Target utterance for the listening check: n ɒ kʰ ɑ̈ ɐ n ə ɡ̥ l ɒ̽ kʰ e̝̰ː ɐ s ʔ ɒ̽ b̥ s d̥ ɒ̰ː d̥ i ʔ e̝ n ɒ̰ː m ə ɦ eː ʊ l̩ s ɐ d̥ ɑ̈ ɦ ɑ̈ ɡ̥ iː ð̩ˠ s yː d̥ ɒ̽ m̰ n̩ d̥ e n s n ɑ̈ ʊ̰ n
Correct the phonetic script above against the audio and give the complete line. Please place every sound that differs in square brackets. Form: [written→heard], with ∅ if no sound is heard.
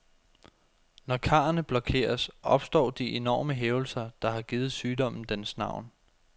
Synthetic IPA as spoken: n ɒ kʰ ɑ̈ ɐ n ə [ɡ̥→b̥] l ɒ̽ kʰ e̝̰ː ɐ s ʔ ɒ̽ b̥ s d̥ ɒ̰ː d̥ i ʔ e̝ n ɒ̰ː m ə ɦ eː ʊ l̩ s ɐ d̥ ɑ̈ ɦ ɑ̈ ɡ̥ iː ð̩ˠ s yː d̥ ɒ̽ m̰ n̩ d̥ e n s n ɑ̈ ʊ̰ n